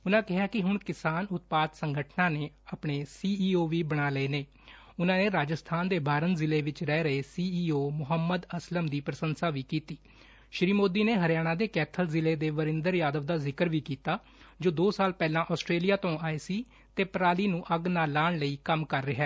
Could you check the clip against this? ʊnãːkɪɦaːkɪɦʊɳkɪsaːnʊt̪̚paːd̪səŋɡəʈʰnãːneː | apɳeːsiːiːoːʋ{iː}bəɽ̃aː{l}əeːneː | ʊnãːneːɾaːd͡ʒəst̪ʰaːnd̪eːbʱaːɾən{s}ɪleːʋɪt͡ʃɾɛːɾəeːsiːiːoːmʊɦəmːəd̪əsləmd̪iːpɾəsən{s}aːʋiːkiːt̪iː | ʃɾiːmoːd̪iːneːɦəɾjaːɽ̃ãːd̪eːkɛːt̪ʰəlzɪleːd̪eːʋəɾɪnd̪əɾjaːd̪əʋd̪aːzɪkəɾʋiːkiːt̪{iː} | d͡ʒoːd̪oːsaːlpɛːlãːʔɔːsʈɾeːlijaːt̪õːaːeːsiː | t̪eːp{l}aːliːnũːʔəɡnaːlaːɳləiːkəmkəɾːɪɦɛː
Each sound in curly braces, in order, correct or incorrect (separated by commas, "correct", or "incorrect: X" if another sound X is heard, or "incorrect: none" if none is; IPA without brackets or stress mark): correct, correct, incorrect: z, correct, incorrect: aː, incorrect: ɾ